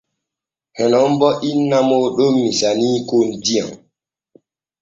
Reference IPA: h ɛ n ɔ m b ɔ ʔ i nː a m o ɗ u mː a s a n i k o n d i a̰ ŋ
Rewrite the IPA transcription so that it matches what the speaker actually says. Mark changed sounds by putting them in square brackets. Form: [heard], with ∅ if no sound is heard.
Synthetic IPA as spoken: h ɛ n ɔ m b ɔ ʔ i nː a m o ɗ [o] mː [i] s a n i k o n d i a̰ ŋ

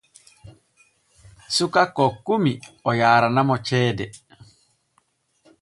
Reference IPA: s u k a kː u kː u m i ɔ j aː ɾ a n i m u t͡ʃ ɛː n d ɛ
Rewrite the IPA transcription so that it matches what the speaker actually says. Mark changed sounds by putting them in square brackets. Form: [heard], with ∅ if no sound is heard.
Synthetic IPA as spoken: s u k a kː [ɔ] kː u m i ɔ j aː ɾ a n [a] m [ɔ] t͡ʃ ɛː [∅] d ɛ

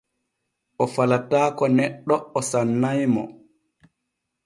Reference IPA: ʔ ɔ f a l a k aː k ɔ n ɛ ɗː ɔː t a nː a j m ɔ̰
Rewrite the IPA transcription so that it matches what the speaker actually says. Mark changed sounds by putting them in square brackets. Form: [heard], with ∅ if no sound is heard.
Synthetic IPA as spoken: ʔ ɔ f a l a [t] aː k ɔ n ɛ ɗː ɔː [s] a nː a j m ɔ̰

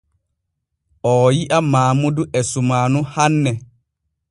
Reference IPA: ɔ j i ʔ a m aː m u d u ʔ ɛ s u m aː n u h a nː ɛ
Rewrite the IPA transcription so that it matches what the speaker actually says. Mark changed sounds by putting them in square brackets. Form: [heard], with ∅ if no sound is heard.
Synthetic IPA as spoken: ɔ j i ʔ a m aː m u d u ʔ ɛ s u m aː n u h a nː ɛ

